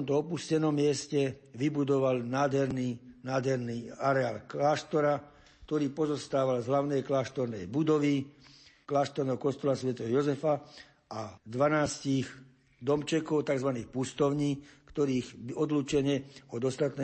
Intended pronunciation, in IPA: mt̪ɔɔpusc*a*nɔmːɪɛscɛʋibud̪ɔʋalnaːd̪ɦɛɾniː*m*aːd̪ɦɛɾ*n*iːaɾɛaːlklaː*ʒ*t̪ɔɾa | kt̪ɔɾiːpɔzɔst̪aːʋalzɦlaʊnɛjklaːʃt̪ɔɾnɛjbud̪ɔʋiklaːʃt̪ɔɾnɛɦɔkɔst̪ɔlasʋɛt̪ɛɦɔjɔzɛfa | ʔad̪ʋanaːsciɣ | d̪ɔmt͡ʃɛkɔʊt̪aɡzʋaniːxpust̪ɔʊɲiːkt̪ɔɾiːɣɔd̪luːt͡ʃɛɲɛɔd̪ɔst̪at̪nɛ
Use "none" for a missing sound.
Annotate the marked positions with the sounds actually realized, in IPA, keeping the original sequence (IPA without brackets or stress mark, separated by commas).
ɛ, n, n, ʃ